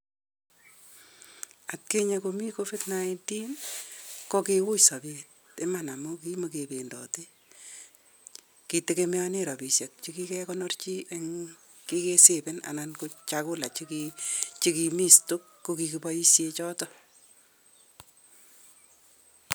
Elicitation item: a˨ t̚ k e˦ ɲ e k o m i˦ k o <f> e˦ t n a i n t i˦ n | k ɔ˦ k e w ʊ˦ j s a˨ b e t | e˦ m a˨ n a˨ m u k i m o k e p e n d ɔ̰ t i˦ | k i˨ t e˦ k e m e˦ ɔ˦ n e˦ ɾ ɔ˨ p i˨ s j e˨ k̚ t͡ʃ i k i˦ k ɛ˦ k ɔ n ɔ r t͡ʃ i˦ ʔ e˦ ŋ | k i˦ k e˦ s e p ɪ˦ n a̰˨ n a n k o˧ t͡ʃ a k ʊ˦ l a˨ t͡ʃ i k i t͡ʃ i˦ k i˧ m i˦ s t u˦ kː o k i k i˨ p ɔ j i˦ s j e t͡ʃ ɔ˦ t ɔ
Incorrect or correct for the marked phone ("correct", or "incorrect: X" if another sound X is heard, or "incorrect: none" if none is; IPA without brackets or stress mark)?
correct